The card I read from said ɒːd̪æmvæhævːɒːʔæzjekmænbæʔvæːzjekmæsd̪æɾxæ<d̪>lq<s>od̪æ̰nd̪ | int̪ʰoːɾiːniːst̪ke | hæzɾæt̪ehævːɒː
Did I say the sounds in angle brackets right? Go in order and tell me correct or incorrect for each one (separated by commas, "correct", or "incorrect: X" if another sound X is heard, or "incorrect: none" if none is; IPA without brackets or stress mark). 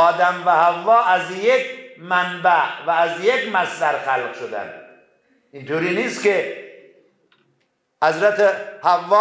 incorrect: none, incorrect: ʃ